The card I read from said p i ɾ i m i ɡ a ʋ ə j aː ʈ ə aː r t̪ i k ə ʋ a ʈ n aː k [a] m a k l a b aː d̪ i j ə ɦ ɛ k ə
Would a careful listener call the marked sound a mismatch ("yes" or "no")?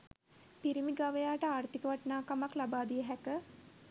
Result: no